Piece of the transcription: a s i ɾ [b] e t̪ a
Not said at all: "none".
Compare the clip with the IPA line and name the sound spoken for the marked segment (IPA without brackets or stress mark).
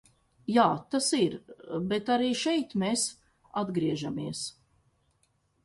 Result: b